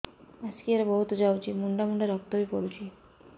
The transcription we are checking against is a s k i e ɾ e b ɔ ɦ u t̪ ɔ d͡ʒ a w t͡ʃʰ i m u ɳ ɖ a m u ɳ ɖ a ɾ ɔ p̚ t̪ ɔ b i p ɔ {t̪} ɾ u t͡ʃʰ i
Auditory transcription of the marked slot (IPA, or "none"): none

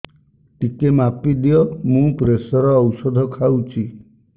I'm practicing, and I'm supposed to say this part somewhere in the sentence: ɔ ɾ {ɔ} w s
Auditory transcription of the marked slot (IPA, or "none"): ɔː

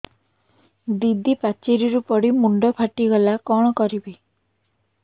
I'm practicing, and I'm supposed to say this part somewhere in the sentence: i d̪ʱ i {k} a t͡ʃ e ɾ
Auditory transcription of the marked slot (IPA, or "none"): p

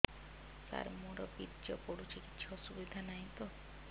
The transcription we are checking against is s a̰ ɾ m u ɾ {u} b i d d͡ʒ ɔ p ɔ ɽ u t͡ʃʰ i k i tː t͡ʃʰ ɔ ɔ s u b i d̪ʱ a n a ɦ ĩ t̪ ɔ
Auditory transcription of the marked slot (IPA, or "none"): ɔ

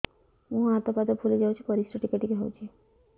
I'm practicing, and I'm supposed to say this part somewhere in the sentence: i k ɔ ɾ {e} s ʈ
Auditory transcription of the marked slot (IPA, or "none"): i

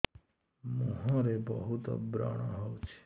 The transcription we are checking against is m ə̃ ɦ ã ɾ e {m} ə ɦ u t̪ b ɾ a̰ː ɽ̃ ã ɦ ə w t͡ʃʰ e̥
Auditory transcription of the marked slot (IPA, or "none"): b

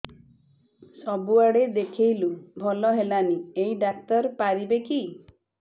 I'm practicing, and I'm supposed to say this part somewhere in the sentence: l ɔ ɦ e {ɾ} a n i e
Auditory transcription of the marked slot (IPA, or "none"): l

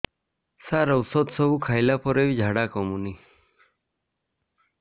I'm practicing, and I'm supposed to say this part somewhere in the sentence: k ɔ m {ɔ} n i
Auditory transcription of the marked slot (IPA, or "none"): u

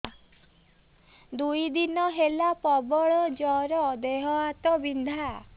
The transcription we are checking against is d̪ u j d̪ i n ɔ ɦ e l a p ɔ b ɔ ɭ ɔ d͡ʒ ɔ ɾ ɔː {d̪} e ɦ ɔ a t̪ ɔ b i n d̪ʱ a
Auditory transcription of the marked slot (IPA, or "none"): d̪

